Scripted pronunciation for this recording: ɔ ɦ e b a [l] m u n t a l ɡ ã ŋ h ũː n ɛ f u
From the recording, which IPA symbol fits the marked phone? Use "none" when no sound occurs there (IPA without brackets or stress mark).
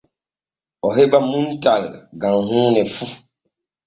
none